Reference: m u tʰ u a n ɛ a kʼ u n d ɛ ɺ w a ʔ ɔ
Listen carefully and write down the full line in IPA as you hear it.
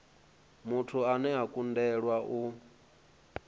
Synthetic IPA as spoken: m u tʰ u a n ɛ a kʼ u n d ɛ ɺ w a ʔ u

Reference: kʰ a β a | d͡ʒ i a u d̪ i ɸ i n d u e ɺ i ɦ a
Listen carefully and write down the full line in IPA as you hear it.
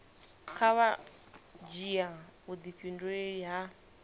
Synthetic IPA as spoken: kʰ a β a | d͡ʒ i a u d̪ i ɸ i n d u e ɺ i ɦ a

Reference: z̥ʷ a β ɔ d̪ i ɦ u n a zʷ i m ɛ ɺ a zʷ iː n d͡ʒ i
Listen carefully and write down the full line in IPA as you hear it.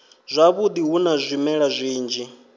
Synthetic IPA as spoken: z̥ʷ a β u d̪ i ɦ u n a zʷ i m ɛ ɺ a zʷ iː n d͡ʒ i

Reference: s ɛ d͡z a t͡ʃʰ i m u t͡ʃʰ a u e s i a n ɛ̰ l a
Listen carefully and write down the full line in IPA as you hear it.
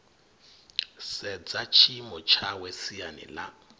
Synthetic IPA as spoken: s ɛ d͡z a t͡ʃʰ i m ɔ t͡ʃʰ a w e s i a n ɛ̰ l a

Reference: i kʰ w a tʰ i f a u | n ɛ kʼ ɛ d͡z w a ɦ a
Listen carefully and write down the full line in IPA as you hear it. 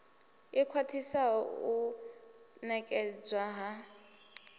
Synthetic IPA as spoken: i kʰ w a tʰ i s a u | n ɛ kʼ ɛ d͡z w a ɦ a

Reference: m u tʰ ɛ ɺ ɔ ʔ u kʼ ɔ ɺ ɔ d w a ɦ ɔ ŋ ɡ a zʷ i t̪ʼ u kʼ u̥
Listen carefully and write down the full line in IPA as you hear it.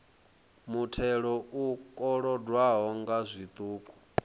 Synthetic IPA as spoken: m u tʰ ɛ ɺ ɔ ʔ u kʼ ɔ ɺ ɔ d w a ɦ ɔ ŋ ɡ a zʷ i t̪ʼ uː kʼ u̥

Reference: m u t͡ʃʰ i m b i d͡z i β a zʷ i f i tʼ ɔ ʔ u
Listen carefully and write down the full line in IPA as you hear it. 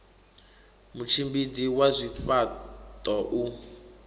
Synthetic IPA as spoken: m u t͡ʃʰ i m b i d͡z i w a zʷ i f a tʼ ɔ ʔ u

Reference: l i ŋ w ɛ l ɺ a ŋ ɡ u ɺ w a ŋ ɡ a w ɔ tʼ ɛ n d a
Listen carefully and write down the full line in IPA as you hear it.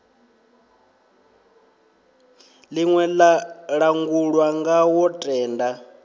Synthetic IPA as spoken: l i ŋ w ɛ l ɺ a ŋ ɡ u ɺ w a ŋ ɡ a w ɔ tʼ ɛː n d a

